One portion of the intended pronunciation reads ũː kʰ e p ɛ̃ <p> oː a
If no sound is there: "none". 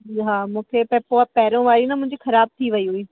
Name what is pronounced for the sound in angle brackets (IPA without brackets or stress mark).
p